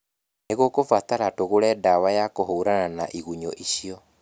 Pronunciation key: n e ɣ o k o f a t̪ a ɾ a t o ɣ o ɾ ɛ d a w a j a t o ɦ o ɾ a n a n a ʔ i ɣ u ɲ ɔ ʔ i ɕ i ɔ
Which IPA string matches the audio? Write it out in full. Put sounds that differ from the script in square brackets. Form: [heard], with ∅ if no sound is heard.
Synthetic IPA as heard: n e ɣ o k o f a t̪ a ɾ a t o ɣ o ɾ ɛ d a w a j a [k] o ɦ o ɾ a n a n a ʔ i ɣ u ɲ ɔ ʔ i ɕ i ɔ